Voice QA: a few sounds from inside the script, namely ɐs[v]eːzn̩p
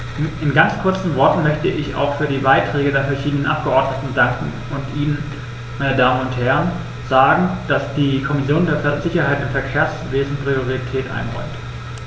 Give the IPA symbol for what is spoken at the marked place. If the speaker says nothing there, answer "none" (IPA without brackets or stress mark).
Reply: v